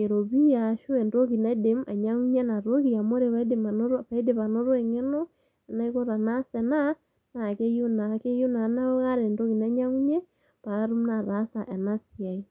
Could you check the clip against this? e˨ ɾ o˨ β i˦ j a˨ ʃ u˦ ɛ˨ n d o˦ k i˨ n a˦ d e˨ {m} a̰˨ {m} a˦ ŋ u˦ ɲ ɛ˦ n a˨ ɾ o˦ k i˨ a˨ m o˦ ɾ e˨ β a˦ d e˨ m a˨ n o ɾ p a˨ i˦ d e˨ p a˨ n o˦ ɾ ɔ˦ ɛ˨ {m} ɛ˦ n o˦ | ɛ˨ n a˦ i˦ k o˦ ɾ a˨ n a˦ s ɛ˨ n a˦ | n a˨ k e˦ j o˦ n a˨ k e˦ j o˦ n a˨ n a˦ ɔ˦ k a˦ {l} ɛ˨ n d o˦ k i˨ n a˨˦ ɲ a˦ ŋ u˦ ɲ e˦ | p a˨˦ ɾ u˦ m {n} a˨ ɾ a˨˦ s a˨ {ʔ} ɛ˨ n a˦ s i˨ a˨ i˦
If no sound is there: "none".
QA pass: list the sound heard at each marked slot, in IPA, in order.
m, ɲ, ŋ, ɾ, n, ʔ

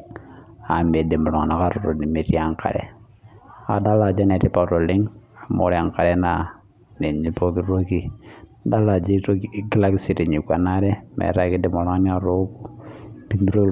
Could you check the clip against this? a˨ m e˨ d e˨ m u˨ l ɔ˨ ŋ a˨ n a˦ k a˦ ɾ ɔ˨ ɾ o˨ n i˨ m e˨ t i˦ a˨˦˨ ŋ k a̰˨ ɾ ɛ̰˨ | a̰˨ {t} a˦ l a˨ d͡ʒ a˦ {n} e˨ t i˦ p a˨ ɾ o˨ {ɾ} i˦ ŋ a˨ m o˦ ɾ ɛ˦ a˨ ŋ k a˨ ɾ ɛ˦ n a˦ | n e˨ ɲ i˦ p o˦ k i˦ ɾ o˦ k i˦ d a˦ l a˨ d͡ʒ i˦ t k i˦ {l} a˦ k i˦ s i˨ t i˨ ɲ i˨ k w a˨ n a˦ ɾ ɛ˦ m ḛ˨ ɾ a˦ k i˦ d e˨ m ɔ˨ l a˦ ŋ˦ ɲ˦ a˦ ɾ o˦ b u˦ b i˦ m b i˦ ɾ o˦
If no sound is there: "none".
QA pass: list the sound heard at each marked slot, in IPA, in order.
d, n, l, l

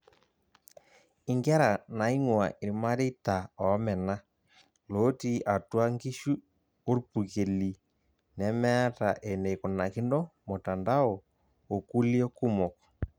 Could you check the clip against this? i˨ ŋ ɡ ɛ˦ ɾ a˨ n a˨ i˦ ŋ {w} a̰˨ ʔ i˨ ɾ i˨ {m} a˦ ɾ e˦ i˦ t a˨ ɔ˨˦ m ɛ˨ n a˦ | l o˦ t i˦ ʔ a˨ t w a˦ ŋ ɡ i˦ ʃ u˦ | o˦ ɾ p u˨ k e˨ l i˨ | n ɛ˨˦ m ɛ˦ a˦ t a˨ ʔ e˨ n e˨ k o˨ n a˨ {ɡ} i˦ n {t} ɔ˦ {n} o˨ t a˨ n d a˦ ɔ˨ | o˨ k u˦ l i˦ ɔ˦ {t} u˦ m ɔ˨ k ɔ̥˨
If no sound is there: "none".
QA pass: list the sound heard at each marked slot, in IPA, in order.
w, m, k, d, m, k

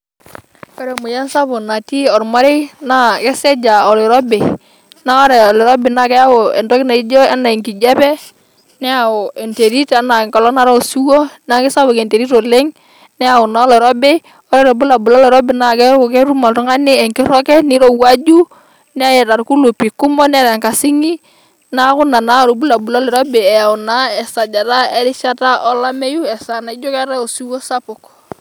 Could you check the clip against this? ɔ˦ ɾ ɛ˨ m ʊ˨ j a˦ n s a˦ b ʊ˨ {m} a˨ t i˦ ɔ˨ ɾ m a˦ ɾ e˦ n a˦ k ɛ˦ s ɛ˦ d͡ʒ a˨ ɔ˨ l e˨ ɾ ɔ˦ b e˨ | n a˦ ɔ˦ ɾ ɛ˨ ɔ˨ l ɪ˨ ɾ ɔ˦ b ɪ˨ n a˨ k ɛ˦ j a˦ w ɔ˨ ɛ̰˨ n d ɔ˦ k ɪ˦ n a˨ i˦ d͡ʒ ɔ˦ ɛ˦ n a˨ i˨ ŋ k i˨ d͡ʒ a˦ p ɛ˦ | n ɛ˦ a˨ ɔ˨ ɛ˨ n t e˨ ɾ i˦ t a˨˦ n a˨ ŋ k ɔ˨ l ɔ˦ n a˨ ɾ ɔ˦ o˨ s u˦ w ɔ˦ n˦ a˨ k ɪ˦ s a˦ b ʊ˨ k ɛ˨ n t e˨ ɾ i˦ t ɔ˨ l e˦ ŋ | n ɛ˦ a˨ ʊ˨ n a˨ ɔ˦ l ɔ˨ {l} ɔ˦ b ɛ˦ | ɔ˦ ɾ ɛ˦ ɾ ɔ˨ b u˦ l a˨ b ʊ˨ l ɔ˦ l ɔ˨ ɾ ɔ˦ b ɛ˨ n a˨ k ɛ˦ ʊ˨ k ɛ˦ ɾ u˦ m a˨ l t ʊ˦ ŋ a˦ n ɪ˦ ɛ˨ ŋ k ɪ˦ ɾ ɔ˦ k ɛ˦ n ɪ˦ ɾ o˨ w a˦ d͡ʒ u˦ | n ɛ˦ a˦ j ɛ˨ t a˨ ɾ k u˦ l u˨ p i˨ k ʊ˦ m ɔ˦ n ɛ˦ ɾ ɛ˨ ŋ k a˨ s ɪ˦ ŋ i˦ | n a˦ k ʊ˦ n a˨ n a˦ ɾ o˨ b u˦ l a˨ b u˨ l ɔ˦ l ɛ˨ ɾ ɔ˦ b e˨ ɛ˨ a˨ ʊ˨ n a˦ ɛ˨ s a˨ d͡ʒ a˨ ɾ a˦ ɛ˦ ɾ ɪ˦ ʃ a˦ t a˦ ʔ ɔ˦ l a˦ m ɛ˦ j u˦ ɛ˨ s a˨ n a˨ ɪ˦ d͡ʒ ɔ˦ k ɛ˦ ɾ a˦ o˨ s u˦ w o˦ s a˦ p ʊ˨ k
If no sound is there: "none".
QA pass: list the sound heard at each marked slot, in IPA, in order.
n, ɾ

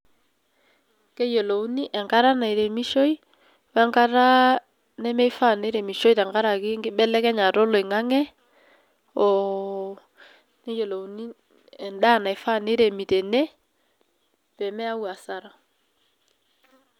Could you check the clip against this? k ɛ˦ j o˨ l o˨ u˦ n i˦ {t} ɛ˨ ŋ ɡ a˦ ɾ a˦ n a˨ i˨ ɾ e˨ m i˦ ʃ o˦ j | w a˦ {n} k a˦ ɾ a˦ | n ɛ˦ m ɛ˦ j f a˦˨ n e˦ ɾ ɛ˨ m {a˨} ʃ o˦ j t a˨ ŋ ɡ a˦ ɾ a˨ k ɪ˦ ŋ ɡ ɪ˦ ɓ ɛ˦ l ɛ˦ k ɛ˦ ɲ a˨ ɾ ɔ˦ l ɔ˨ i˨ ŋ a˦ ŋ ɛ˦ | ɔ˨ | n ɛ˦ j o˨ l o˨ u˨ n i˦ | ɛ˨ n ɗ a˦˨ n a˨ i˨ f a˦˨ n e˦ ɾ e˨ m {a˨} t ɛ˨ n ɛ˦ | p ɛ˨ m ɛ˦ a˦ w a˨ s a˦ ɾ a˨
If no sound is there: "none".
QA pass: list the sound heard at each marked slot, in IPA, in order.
ʔ, ŋ, i˨, i˨

